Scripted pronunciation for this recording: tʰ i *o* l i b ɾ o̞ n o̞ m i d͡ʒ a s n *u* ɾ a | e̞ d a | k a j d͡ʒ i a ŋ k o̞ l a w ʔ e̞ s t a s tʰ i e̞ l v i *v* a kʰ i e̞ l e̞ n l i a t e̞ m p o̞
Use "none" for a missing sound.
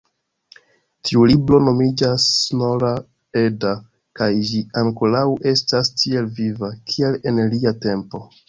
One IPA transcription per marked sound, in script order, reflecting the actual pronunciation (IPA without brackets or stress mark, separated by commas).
u, o, v